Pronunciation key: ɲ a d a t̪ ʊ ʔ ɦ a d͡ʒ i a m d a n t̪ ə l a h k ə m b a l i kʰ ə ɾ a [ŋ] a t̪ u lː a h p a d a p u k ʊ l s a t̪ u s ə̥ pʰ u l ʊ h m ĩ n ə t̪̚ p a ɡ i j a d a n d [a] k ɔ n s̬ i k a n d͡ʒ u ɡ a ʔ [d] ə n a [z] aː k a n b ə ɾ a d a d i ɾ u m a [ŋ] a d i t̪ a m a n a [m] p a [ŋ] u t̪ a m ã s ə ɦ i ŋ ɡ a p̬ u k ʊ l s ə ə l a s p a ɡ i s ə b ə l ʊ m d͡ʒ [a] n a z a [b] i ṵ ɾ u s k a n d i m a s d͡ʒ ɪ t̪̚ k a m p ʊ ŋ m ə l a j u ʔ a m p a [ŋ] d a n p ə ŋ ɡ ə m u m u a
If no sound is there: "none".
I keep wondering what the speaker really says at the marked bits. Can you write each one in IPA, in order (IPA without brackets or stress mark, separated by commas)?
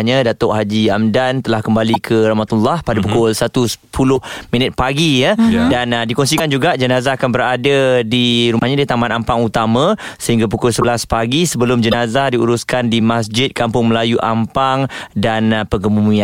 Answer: m, i, d͡ʒ, z, ɲ, m, ŋ, ə, d, ŋ